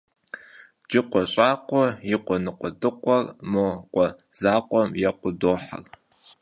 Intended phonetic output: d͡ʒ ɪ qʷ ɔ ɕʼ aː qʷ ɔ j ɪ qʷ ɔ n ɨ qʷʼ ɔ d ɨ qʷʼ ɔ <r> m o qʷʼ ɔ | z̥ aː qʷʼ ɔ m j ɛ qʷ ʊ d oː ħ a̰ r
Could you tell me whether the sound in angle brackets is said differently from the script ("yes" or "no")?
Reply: no